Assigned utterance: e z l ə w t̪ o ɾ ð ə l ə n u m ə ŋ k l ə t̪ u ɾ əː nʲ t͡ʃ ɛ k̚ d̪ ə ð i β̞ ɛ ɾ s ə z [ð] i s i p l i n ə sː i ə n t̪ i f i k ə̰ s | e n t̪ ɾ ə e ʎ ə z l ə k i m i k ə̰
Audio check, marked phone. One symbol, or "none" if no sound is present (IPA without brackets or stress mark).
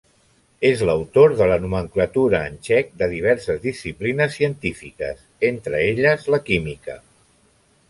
ð